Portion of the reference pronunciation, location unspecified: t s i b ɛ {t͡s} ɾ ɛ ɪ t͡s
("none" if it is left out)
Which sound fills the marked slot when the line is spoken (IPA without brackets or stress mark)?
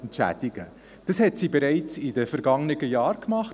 none